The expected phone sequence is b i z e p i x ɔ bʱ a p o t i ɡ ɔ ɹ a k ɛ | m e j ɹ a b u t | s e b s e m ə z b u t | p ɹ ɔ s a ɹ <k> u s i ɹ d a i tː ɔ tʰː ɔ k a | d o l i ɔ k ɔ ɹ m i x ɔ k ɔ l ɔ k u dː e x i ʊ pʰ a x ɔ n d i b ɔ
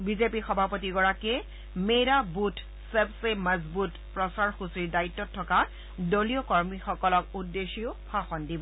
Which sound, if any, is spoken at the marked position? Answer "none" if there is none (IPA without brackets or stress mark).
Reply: x